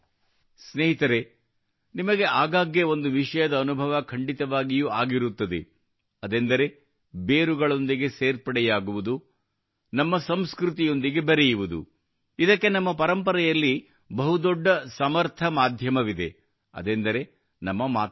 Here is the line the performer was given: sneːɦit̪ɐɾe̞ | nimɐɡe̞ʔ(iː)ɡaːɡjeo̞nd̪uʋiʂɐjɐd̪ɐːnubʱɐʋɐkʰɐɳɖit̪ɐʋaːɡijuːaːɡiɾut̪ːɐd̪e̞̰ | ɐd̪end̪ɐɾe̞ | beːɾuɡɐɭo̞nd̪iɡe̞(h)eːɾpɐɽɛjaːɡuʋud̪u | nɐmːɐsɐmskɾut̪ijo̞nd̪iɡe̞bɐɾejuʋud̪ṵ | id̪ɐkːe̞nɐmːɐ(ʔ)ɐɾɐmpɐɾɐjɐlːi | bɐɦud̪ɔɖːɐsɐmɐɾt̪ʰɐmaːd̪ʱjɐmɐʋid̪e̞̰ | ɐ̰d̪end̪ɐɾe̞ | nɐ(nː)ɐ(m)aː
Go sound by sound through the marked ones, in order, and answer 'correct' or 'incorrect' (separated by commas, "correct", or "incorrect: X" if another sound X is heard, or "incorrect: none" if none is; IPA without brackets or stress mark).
incorrect: aː, incorrect: s, incorrect: p, incorrect: mː, correct